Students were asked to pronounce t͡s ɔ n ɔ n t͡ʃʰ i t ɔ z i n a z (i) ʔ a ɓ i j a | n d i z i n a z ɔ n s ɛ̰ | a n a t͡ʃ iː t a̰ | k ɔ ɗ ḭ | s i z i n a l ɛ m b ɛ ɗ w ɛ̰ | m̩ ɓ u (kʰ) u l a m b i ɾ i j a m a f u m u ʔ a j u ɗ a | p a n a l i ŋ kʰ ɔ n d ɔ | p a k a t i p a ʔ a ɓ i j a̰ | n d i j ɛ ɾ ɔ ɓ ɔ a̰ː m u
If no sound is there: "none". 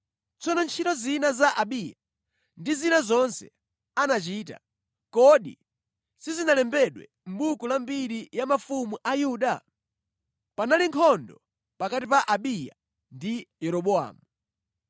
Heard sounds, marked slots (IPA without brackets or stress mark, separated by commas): a, k